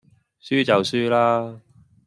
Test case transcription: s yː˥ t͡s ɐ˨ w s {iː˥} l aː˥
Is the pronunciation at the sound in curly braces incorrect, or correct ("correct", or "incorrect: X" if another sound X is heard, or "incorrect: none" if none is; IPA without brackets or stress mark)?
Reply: incorrect: yː˥